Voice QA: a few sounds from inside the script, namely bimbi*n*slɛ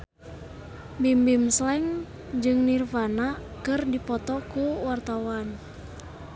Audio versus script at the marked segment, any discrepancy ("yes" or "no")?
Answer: yes